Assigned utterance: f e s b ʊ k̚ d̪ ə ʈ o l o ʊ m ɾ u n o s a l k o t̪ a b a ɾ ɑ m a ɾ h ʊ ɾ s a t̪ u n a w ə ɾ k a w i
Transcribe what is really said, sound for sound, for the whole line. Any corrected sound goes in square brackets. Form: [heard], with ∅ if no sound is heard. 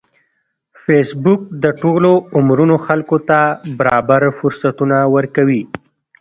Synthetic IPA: f e s b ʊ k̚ d̪ ə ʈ o l o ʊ m ɾ u n o [x] a l k o t̪ a b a ɾ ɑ [b] a ɾ [f] ʊ ɾ s a t̪ u n a w ə ɾ k a w i

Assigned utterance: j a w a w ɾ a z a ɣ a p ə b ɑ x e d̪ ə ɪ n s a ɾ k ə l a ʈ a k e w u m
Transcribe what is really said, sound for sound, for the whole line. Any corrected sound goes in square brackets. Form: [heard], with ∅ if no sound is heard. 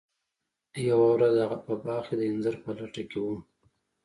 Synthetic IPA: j a w a w ɾ a z a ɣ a p ə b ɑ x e d̪ ə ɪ n [z] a ɾ [p] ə l a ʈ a k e w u m

